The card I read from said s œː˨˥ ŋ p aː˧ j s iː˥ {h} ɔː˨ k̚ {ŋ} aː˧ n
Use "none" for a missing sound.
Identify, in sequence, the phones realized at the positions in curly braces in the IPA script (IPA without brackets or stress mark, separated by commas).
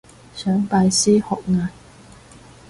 h, ŋ